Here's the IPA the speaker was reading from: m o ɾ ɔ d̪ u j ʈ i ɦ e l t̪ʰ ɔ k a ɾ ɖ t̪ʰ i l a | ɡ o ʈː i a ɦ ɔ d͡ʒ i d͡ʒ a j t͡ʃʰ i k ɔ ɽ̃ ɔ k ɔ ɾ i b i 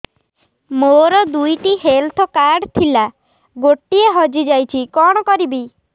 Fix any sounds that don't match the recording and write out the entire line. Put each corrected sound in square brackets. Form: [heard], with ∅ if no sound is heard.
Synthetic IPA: m o ɾ ɔ d̪ u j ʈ i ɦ e l t̪ʰ ɔ k a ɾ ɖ t̪ʰ i l a | ɡ o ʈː i [e] ɦ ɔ d͡ʒ i d͡ʒ a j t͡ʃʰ i k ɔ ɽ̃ ɔ k ɔ ɾ i b i